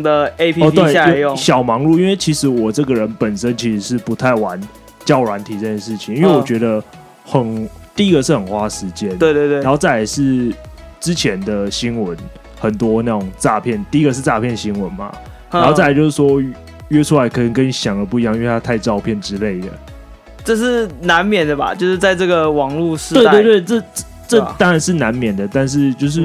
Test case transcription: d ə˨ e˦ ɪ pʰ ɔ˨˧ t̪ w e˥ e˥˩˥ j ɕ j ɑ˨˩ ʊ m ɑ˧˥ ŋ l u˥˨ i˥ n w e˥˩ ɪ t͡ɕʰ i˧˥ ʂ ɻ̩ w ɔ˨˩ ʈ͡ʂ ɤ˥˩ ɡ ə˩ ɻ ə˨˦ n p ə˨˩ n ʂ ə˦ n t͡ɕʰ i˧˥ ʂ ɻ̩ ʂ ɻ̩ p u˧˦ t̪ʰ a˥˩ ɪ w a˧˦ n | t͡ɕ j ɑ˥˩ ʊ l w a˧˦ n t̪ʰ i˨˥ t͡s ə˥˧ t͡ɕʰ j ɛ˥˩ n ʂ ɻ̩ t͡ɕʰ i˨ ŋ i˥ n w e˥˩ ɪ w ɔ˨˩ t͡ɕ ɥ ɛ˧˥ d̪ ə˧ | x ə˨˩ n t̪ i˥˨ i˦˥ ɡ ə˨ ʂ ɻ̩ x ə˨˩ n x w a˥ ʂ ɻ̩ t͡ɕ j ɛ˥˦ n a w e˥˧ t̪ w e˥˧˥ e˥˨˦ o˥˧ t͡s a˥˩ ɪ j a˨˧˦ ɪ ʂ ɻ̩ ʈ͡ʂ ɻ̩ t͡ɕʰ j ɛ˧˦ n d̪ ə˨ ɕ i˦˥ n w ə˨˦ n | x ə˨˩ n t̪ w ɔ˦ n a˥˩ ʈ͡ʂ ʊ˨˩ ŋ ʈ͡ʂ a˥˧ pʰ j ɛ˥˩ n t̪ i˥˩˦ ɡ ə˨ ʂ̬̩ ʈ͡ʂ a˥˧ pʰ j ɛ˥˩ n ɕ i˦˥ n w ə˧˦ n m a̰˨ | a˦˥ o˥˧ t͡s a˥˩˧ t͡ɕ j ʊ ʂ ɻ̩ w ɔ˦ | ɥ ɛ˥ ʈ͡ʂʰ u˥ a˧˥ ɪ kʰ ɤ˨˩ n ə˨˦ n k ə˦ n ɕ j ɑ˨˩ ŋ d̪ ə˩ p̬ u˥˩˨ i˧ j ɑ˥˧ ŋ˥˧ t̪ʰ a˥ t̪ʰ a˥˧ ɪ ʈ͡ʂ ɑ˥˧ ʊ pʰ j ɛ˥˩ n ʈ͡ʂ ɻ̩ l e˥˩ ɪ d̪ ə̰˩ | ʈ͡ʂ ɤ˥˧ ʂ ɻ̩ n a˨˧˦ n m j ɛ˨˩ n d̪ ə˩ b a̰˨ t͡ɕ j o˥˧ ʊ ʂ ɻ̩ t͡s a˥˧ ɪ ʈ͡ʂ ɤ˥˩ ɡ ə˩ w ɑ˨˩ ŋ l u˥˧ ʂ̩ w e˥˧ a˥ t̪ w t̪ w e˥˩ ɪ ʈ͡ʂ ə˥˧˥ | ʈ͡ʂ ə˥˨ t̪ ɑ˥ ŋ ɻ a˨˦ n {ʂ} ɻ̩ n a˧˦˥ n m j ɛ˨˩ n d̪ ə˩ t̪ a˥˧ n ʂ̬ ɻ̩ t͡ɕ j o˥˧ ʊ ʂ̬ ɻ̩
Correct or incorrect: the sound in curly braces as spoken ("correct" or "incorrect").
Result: correct